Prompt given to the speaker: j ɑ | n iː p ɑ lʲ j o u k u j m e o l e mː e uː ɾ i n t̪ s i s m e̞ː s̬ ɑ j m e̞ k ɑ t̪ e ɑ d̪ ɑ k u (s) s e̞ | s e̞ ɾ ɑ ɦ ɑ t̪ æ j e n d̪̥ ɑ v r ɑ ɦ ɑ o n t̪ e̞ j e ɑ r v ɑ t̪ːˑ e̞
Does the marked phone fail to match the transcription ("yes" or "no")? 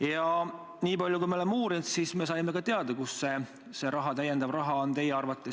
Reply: no